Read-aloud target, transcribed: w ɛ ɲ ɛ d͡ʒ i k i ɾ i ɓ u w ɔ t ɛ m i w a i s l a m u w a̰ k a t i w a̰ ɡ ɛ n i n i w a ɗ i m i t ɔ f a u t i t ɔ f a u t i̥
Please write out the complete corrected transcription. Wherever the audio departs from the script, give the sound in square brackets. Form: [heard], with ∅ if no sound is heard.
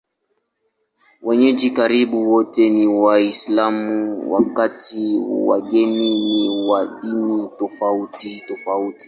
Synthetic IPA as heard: w ɛ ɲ ɛ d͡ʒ i k [a] ɾ i ɓ u w ɔ t ɛ [n] i w a i s l a m u w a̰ k a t i w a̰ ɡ ɛ n i n i w a ɗ i [n] i t ɔ f a u t i t ɔ f a u t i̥